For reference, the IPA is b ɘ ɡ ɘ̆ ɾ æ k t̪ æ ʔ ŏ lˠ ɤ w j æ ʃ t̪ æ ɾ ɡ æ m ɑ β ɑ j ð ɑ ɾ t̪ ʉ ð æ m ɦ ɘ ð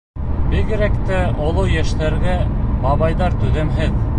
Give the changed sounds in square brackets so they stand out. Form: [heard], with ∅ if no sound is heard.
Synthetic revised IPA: b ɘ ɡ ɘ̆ ɾ æ k t̪ æ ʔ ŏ lˠ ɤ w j æ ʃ t̪ æ ɾ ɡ æ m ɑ β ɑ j ð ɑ ɾ t̪ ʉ ð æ m ɦ ɘ ð